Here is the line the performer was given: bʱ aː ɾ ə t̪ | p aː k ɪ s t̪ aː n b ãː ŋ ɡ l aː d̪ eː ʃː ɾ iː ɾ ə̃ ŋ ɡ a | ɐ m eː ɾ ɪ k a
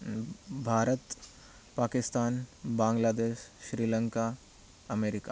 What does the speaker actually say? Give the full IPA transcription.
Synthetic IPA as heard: bʱ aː ɾ ə t̪ | p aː k ɪ s t̪ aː n b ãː ŋ ɡ l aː d̪ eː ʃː ɾ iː l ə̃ ŋ k a | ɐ m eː ɾ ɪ k a